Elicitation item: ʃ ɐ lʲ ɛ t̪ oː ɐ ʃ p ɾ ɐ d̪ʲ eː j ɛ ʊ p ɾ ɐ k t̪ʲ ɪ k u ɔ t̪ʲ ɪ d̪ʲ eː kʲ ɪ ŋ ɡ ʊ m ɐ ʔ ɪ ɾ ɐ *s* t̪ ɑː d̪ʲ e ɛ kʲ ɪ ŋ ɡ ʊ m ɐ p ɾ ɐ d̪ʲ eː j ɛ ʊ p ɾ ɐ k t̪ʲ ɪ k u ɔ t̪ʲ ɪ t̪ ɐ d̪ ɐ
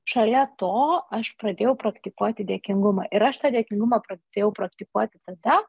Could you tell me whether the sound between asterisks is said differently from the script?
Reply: yes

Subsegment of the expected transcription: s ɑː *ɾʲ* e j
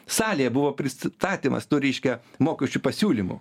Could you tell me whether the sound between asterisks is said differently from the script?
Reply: yes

